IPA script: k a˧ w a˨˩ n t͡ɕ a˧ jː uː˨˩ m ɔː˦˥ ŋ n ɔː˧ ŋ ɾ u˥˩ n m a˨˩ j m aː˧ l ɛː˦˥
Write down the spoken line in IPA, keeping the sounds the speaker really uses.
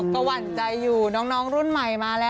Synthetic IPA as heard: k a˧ w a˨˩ n t͡ɕ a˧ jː uː˨˩ n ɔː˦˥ ŋ n ɔː˦˥ ŋ ɾ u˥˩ n m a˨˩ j m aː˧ l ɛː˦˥